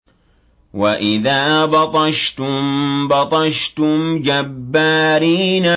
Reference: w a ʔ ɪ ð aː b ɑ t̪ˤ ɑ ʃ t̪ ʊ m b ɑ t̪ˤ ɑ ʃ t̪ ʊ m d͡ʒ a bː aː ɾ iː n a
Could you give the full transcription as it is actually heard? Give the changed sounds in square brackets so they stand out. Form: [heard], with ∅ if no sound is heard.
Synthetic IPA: w a ʔ ɪ ð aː b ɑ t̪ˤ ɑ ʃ t̪ ʊ m b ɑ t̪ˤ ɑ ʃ t̪ ʊ m d͡ʒ a bː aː ɾ iː n a